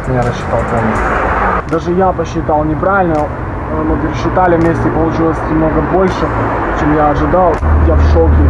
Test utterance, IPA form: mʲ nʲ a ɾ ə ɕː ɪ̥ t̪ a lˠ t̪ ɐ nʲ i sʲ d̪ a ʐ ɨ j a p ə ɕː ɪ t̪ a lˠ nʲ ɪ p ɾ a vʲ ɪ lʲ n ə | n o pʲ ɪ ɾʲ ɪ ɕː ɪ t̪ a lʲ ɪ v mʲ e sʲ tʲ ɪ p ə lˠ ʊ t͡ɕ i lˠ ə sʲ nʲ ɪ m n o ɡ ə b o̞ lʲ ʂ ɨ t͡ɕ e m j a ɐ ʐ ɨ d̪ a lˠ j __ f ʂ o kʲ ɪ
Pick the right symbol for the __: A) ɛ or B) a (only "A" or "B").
B